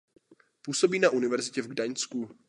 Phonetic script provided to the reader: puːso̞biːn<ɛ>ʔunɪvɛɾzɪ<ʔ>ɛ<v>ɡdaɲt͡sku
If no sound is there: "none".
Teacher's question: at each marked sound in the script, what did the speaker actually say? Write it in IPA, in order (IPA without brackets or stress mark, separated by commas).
a, c, v